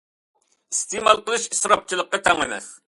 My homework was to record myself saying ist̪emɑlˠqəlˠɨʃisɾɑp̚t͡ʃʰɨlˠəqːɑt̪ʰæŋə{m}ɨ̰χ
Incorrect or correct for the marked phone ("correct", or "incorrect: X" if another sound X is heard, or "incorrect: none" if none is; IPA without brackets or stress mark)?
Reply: incorrect: n